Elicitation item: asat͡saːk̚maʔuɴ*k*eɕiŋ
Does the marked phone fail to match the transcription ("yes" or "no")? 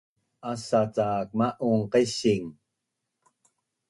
yes